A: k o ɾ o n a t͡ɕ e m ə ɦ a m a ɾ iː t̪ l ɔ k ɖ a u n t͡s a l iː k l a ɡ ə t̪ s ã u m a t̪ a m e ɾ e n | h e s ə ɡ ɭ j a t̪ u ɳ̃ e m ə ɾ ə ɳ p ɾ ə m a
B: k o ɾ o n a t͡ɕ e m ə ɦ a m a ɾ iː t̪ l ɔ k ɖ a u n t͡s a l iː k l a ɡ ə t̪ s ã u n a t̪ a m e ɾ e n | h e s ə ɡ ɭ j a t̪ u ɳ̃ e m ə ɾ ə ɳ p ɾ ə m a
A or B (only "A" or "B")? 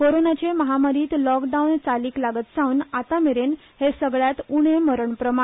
B